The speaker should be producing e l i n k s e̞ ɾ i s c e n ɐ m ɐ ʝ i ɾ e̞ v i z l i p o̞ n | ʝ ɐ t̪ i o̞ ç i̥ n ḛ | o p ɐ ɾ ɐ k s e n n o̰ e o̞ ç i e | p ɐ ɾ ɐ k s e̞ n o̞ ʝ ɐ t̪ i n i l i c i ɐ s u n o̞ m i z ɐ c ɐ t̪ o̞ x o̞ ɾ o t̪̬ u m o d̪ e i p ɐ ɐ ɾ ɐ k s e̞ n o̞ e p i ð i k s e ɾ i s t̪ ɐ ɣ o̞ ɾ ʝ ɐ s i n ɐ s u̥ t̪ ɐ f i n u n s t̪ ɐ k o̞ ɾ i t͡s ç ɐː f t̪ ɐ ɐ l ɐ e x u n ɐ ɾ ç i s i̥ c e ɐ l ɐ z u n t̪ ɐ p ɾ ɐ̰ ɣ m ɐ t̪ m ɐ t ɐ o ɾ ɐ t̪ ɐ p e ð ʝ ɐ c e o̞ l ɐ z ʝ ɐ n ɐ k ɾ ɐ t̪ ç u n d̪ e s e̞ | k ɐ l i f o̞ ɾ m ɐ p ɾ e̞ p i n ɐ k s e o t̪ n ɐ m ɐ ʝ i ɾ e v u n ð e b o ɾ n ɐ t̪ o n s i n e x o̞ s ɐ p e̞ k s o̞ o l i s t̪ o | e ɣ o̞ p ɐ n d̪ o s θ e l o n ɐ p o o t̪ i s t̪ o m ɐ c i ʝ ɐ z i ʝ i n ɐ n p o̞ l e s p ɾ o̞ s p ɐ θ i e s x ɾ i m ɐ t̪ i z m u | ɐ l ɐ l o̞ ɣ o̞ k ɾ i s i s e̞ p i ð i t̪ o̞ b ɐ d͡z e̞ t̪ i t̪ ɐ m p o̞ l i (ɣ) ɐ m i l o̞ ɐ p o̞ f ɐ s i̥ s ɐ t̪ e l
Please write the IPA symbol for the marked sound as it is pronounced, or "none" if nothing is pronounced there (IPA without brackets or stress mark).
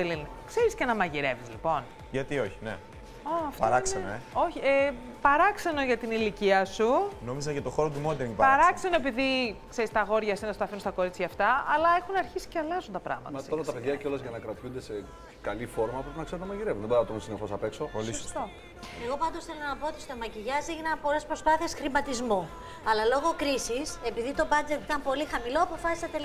x